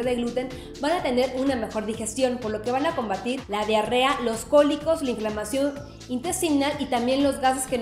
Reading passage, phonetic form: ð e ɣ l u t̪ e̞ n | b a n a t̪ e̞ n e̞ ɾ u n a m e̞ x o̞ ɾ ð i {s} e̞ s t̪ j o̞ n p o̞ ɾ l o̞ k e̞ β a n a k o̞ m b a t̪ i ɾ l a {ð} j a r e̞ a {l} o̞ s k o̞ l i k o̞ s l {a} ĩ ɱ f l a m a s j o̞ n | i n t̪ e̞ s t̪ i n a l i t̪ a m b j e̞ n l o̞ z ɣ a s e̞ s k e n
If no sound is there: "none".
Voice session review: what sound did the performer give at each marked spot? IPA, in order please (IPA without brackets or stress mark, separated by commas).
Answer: x, ð, l, a